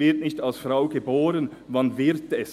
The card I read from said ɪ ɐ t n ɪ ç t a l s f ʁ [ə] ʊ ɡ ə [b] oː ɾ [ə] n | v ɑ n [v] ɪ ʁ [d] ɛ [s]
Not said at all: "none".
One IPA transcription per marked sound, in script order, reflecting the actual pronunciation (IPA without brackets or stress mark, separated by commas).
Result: a, b, ə, v, t, s